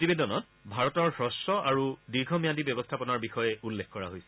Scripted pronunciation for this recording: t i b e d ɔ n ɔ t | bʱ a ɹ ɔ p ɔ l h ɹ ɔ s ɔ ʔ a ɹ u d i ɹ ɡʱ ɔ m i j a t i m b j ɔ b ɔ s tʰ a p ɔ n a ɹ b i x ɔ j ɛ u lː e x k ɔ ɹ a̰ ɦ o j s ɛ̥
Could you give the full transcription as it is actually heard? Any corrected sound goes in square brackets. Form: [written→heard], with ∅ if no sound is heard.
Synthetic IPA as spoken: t i b e d ɔ n ɔ t | bʱ a ɹ ɔ [p→t] ɔ [l→ɹ] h ɹ ɔ s ɔ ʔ a ɹ u d i ɹ ɡʱ ɔ m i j a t i [m→∅] b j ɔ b ɔ s tʰ a p ɔ n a ɹ b i x ɔ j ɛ u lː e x k ɔ ɹ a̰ ɦ o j s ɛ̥